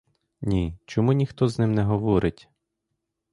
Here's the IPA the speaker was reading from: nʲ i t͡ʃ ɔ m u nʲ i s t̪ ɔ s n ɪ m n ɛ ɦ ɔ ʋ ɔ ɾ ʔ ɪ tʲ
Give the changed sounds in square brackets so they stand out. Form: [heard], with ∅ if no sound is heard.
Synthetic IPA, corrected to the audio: nʲ i t͡ʃ ɔ m u nʲ i [x] t̪ ɔ [z] n ɪ m n ɛ ɦ ɔ ʋ ɔ ɾ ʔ ɪ tʲ